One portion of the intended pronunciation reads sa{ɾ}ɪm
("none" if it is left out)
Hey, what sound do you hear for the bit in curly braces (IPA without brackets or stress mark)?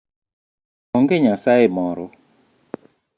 none